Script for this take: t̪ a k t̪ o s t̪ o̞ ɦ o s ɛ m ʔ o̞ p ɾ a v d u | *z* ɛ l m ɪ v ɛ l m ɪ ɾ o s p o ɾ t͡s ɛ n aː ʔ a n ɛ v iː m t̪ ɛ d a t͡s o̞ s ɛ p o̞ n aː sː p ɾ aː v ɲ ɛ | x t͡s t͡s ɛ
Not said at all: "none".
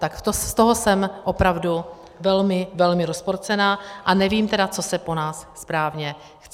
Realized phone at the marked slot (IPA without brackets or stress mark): v